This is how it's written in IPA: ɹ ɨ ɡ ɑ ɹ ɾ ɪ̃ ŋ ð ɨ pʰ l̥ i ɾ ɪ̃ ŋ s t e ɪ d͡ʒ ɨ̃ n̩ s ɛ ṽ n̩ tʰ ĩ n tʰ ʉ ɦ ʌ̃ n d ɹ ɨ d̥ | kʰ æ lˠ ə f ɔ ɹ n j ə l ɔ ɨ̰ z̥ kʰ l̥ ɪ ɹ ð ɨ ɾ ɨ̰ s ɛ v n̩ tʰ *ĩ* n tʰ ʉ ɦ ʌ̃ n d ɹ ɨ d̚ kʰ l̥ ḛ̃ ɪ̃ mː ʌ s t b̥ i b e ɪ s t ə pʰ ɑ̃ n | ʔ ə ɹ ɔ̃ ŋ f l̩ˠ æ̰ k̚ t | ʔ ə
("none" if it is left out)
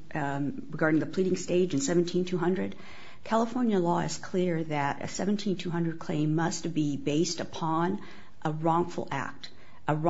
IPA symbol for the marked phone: ĩ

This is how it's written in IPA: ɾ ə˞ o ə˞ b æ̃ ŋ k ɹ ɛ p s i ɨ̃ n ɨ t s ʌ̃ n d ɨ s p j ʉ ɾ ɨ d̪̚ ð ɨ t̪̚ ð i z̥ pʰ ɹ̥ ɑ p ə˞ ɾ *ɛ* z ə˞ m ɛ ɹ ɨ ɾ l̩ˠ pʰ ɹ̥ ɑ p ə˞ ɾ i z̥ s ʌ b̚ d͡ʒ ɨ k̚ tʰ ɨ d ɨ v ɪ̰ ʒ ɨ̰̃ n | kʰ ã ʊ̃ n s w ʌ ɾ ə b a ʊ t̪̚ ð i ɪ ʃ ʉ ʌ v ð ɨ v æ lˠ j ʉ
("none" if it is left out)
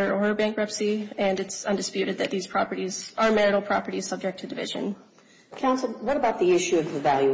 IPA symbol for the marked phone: i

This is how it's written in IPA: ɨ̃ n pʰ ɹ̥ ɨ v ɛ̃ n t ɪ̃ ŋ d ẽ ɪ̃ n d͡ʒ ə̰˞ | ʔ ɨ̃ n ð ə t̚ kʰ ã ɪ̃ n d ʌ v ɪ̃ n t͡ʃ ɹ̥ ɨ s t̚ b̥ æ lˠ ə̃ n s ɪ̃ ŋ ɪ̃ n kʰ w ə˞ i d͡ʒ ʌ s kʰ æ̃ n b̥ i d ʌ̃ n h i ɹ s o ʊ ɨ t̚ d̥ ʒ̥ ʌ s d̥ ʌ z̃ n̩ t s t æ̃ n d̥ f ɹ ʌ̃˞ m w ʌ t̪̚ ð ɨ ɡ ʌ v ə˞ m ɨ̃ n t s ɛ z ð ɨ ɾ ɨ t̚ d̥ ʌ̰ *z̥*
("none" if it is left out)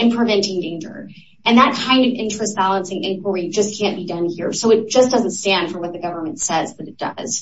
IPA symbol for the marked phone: z̥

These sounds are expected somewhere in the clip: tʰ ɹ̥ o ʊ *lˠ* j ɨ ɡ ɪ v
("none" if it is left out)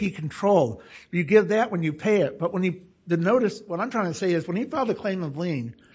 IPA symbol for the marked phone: lˠ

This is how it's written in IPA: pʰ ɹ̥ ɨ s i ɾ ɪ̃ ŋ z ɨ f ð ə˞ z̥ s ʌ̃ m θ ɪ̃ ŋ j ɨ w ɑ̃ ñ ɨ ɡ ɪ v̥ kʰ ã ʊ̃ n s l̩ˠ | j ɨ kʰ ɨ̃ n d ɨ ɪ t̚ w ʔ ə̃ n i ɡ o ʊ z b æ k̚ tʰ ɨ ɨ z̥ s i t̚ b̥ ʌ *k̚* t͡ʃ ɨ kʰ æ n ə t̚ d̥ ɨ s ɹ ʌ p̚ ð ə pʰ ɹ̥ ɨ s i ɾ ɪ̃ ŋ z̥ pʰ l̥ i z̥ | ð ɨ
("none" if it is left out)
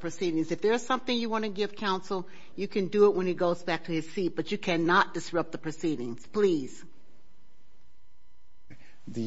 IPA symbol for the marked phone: none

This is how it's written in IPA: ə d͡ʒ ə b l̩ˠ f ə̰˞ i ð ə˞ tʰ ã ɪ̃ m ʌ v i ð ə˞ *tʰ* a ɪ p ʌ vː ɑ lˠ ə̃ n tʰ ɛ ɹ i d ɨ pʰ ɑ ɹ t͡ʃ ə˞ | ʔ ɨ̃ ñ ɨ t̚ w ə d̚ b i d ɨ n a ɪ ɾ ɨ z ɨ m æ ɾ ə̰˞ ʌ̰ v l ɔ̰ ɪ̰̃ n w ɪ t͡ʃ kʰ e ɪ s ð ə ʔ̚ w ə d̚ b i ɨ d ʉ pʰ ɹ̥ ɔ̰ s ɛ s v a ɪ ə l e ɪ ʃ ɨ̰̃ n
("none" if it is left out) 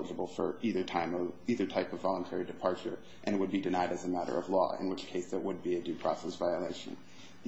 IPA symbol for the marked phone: tʰ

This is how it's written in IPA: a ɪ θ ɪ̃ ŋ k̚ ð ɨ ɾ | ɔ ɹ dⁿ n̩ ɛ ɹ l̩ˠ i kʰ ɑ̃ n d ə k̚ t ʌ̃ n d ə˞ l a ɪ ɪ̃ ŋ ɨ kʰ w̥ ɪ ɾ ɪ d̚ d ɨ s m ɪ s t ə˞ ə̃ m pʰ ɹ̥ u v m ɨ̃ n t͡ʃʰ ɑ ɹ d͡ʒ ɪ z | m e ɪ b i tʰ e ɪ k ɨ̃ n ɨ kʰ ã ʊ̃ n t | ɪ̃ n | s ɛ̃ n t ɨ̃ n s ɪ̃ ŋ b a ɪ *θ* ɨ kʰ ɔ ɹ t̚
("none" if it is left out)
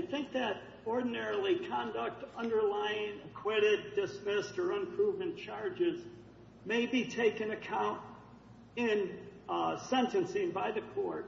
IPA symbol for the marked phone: ð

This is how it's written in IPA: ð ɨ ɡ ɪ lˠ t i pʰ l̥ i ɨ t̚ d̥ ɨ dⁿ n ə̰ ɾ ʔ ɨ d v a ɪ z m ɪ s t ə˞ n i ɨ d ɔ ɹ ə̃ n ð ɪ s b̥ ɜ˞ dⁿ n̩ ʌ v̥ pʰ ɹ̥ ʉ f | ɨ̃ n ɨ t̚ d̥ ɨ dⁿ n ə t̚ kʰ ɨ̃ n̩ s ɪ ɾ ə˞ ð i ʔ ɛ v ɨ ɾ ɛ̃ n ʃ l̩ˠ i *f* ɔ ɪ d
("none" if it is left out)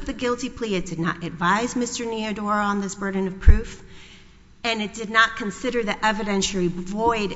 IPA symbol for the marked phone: v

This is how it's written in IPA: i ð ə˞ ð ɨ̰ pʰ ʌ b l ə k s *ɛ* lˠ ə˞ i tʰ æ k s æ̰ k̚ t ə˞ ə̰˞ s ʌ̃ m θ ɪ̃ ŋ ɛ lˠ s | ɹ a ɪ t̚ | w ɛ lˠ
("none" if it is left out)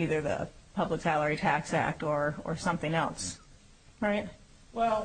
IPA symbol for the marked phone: æ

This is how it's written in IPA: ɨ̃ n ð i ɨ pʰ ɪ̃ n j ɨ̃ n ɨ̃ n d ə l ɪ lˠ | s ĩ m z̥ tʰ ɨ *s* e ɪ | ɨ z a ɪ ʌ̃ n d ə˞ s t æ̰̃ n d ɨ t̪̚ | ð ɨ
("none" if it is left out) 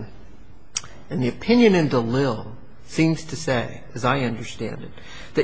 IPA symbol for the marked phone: s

